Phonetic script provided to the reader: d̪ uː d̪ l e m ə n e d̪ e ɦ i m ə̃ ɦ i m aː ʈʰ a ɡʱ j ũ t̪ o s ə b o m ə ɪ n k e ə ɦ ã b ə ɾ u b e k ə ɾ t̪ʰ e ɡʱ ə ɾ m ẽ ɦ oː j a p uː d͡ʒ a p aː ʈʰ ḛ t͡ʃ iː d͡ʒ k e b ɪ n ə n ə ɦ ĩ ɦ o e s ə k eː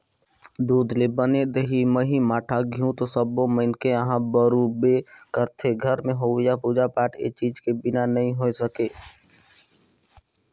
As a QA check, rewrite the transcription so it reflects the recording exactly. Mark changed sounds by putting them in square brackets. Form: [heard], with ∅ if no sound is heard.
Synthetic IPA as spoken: d̪ uː d̪ l e [b] ə n e d̪ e ɦ i m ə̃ ɦ i m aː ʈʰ a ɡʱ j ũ t̪ o s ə b o m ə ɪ n k e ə ɦ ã b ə ɾ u b e k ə ɾ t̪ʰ e ɡʱ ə ɾ m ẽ ɦ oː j a p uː d͡ʒ a p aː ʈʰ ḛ t͡ʃ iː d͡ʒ k e b ɪ n [a] n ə ɦ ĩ ɦ o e s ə k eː